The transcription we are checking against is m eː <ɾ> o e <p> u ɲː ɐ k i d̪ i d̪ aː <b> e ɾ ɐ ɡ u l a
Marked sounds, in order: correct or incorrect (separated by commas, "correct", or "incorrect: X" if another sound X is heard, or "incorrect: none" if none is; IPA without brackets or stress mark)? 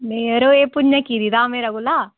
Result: correct, correct, incorrect: m